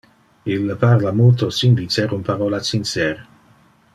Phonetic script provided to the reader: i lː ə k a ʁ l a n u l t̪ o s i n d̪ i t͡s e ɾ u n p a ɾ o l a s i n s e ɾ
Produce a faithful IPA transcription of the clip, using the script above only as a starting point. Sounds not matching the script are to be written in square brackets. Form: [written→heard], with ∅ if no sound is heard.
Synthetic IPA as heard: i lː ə [k→p] a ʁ l a [n→m] u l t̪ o s i n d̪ i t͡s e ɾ u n p a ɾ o l a s i n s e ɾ